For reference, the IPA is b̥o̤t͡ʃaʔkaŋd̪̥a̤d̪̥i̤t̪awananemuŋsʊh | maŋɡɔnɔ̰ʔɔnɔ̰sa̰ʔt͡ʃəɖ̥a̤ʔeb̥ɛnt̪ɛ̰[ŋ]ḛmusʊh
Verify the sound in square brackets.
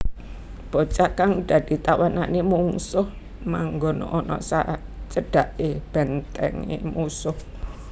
correct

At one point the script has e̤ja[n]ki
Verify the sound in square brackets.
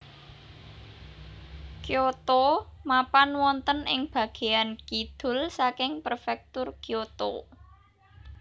correct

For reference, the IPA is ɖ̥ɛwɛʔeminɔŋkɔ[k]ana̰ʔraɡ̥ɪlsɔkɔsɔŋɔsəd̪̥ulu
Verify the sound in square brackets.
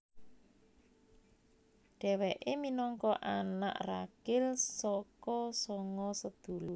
incorrect: ʔ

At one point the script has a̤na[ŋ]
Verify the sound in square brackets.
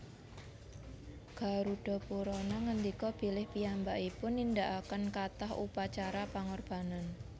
incorrect: n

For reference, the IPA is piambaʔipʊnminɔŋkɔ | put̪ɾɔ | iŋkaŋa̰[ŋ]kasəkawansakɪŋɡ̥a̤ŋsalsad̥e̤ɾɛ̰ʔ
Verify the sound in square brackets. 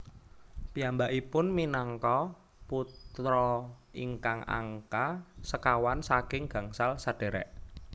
correct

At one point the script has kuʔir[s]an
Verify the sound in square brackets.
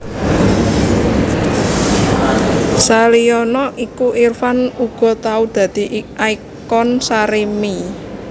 incorrect: f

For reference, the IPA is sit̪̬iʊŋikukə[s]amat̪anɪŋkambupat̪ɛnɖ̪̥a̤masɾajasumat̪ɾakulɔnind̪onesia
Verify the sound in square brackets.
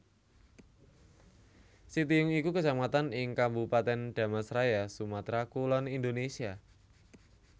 correct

